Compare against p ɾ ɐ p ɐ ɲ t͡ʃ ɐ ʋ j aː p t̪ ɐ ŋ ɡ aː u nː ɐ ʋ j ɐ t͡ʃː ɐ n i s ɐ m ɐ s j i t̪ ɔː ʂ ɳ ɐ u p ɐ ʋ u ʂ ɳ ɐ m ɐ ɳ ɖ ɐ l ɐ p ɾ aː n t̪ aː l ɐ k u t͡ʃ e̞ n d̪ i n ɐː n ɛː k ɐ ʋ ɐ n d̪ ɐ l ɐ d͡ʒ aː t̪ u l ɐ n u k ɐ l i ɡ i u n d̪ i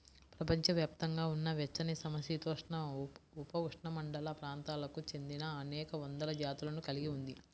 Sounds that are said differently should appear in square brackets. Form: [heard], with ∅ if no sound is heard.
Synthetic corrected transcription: p ɾ ɐ p ɐ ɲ t͡ʃ ɐ ʋ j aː p t̪ ɐ ŋ ɡ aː u nː ɐ ʋ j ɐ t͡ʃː ɐ n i s ɐ m ɐ s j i t̪ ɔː ʂ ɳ ɐ u p ɐ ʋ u ʂ ɳ ɐ m ɐ ɳ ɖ ɐ l ɐ p ɾ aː n t̪ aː l ɐ k u t͡ʃ e̞ n d̪ i n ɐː n ɛː k ɐ ʋ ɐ n d̪ ɐ l ɐ d͡ʒ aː t̪ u l ɐ n u k ɐ l i ɡ i u n d̪ i